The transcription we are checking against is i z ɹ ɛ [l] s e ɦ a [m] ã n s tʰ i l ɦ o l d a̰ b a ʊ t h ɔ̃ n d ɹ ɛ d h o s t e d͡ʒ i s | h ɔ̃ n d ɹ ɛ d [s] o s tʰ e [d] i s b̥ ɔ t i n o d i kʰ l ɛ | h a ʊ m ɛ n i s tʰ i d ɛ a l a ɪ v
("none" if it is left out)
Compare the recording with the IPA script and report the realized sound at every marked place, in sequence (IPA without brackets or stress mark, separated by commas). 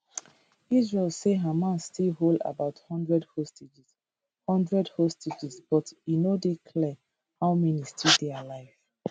l, m, h, d͡ʒ